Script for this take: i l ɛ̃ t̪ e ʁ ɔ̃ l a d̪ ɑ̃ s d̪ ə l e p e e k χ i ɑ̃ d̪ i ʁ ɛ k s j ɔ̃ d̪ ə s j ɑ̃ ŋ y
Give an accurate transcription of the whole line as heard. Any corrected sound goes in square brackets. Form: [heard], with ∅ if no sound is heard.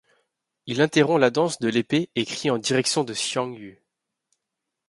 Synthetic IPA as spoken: i l ɛ̃ t̪ e ʁ ɔ̃ l a d̪ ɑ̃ s d̪ ə l e p e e k χ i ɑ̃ d̪ i ʁ ɛ k s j ɔ̃ d̪ ə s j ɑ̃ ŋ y